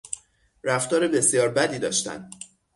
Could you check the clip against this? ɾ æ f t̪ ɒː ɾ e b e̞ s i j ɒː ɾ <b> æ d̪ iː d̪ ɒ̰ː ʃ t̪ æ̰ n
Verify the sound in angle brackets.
correct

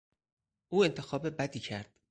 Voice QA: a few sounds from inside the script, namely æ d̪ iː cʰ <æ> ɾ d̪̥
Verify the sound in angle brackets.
correct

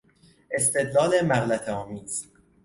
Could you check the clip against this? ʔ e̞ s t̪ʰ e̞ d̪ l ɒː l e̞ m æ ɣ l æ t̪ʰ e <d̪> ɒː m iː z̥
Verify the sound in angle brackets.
incorrect: none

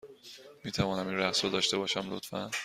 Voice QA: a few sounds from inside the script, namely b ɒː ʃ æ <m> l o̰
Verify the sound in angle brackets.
correct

